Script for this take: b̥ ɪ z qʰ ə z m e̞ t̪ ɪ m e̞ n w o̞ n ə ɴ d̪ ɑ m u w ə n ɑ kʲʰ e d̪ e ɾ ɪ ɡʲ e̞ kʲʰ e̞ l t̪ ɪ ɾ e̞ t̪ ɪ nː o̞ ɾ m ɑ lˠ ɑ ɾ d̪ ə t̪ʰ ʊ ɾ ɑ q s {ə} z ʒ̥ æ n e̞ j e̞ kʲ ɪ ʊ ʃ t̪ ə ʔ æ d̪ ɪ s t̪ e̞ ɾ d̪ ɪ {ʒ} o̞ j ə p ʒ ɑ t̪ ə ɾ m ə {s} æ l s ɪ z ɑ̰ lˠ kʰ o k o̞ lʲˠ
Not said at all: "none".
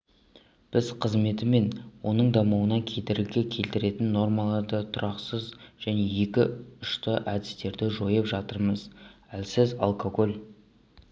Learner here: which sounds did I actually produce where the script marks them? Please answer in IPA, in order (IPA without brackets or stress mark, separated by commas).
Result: ə, ʒ, z